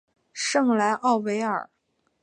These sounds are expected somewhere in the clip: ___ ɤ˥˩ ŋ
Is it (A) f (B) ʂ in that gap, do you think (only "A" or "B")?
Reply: B